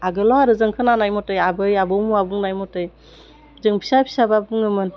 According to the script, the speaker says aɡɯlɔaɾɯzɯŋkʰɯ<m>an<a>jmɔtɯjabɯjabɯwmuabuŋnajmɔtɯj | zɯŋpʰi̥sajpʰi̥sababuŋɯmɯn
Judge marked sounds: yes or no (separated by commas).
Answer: no, yes